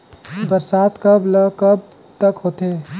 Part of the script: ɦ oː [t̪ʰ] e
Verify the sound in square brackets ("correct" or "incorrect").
incorrect